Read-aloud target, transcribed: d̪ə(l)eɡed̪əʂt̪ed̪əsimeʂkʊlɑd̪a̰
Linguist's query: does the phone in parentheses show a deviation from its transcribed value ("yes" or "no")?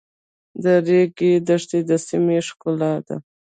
yes